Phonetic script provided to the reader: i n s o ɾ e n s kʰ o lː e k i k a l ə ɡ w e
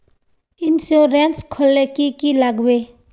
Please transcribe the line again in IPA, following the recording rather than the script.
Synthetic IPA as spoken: i n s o ɾ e n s kʰ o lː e k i k i l a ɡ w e